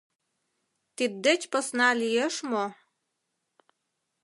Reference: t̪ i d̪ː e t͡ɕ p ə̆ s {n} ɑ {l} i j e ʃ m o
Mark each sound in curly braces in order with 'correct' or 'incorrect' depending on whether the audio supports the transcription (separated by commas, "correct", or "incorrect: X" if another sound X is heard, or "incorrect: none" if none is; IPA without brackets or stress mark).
correct, correct